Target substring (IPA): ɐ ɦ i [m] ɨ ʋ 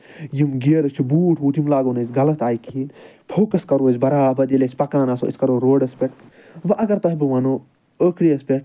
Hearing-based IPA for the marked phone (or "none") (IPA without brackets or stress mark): b